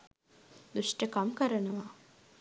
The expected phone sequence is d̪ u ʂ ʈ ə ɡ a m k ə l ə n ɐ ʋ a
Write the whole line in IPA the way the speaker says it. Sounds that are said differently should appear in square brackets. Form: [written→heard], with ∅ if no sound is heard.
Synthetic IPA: d̪ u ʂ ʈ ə [ɡ→k] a m k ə [l→ɾ] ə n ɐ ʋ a